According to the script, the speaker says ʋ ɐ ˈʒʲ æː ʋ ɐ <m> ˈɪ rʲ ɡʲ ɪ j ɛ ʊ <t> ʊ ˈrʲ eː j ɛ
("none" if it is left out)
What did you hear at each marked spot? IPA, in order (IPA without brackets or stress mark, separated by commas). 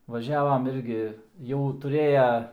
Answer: m, t